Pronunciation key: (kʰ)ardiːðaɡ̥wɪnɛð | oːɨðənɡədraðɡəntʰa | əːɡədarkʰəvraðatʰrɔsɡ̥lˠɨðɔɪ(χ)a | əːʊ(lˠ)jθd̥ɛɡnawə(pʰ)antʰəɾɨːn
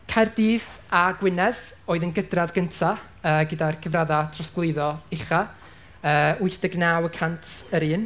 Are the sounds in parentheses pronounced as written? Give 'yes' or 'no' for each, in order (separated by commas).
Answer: yes, yes, no, no